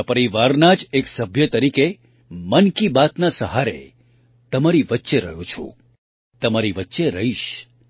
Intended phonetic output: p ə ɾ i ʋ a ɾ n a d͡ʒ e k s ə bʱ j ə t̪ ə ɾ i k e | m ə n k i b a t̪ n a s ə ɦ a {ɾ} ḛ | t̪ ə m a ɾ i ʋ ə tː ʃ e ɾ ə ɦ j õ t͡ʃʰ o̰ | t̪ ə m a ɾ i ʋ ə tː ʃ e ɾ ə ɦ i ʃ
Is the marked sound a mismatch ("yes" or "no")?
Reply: no